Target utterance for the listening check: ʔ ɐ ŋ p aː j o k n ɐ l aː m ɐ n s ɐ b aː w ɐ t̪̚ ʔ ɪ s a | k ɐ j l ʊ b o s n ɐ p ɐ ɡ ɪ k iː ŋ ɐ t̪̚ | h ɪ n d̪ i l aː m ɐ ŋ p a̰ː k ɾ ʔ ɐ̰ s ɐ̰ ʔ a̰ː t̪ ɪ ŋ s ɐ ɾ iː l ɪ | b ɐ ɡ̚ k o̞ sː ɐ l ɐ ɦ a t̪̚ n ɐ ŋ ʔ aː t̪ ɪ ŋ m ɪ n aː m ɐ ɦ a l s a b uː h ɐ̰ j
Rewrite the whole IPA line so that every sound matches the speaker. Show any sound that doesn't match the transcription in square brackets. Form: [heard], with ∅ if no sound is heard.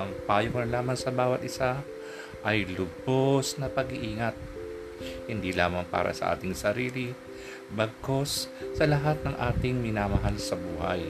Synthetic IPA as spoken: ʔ ɐ ŋ p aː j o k n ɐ l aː m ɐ n s ɐ b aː w ɐ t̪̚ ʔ ɪ s a | [ʔ] ɐ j l ʊ b o s n ɐ p ɐ ɡ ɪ [ʔ] iː ŋ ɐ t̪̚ | h ɪ n d̪ i l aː m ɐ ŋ p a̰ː [∅] ɾ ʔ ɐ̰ s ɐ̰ ʔ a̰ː t̪ ɪ ŋ s ɐ ɾ iː l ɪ | b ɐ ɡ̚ k o̞ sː ɐ l ɐ ɦ a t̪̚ n ɐ ŋ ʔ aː t̪ ɪ ŋ m ɪ n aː m ɐ ɦ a l s [ɐ] b uː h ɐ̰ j